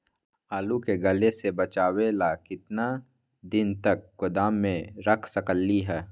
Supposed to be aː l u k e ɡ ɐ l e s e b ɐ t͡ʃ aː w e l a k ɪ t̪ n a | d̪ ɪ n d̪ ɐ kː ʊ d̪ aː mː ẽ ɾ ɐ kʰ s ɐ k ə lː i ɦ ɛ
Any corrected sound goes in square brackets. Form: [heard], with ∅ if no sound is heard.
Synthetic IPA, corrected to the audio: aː l u k e ɡ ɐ l e s e b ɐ t͡ʃ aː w e l a k ɪ t̪ n a | d̪ ɪ n [t̪] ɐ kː ʊ d̪ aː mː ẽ ɾ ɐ kʰ s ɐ k ə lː i ɦ [ɛː]

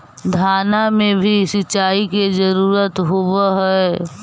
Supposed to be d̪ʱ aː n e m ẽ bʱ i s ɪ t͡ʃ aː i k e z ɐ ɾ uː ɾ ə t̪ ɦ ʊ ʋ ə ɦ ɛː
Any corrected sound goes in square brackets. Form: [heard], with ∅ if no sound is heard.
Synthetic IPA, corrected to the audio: d̪ʱ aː n [a] m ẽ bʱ i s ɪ t͡ʃ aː i k e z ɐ ɾ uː ɾ ə t̪ ɦ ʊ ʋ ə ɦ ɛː

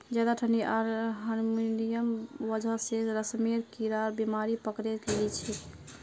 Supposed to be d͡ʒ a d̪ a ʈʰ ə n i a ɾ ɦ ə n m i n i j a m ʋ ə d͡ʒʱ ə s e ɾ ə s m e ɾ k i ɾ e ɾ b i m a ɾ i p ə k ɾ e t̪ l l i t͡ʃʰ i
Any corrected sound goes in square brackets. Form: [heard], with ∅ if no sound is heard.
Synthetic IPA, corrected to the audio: d͡ʒ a d̪ a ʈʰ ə n i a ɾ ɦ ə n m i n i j [ə] m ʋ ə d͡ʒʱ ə s e ɾ ə s m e ɾ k i ɾ [a] ɾ b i m a ɾ i p ə k ɾ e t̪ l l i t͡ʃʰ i

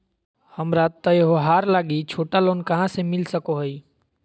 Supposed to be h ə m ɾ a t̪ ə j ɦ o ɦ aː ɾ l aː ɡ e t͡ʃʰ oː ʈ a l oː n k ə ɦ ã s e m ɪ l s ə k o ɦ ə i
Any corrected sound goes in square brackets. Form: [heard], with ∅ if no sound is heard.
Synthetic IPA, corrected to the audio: h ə m ɾ a t̪ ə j ɦ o ɦ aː ɾ l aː ɡ [i] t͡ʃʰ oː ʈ a l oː n k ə ɦ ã s e m ɪ l s ə k o ɦ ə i

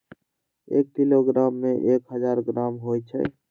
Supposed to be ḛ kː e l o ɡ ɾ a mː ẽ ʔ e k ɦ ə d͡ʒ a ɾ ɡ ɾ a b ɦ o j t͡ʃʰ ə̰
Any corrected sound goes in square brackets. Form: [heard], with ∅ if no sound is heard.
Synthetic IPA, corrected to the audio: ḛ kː [i] l o ɡ ɾ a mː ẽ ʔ e k ɦ ə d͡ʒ a ɾ ɡ ɾ a [m] ɦ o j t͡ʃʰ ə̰

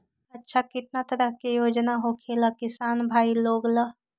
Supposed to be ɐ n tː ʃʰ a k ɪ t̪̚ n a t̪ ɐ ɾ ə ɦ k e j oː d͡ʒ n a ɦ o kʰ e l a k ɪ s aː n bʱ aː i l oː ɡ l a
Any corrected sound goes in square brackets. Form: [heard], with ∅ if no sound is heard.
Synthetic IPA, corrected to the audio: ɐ [∅] tː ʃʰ a k ɪ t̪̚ n a t̪ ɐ ɾ ə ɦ k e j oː d͡ʒ n a ɦ o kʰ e l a k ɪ s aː n bʱ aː i l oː ɡ l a

